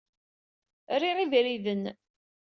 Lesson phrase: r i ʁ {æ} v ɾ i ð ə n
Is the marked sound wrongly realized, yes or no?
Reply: yes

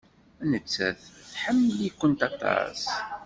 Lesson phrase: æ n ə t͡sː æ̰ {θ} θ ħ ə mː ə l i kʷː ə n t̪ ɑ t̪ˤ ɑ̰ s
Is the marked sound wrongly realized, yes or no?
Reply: no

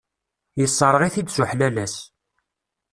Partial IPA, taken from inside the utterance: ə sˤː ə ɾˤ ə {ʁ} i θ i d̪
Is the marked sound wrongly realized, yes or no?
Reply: no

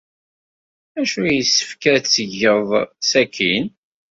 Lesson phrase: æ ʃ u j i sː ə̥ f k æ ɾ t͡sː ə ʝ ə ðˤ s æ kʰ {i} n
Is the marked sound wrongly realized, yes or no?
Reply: no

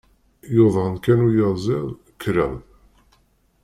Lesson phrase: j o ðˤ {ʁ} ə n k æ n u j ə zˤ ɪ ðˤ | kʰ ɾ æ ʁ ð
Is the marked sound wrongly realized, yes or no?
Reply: no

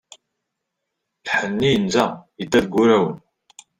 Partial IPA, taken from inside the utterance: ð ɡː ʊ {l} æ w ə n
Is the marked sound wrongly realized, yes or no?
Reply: yes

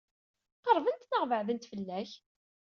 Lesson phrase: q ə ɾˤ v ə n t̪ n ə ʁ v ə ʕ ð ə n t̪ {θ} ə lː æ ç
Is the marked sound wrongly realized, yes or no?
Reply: yes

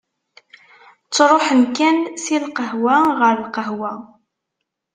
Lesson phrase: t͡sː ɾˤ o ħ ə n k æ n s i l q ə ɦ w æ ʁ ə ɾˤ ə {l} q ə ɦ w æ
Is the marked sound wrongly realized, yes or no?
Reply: no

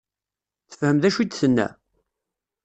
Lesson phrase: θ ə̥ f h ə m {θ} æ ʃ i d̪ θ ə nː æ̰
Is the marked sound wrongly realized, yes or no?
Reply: yes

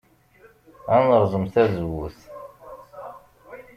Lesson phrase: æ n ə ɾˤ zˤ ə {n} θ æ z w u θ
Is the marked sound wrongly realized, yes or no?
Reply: yes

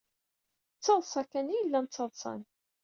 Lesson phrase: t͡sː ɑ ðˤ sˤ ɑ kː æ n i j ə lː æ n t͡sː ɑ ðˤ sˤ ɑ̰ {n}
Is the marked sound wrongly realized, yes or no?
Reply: no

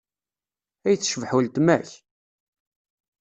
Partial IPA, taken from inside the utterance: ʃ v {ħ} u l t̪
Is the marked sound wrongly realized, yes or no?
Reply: no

